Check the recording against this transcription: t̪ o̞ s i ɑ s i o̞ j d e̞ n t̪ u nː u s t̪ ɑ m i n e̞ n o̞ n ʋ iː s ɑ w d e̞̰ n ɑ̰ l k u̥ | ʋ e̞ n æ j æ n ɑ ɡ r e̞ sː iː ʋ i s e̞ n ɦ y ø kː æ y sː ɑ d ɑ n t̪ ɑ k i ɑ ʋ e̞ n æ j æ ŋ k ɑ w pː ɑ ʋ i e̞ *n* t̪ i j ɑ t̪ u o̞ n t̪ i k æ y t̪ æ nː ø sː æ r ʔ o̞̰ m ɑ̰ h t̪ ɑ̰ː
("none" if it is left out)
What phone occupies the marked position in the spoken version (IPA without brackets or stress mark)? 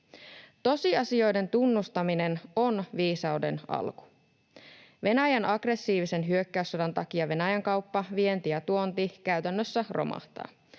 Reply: n